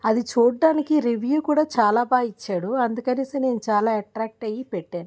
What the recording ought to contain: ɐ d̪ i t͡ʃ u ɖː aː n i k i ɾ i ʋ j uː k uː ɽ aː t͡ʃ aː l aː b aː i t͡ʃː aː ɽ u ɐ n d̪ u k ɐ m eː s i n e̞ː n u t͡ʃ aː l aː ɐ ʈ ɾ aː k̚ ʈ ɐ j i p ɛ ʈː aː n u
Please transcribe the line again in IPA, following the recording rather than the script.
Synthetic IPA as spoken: ɐ d̪ i t͡ʃ uː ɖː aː n i k i ɾ i ʋ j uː k uː ɽ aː t͡ʃ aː l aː b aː i t͡ʃː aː ɽ u ɐ n d̪ u k ɐ n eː s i n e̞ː n u t͡ʃ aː l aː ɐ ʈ ɾ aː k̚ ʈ ɐ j i p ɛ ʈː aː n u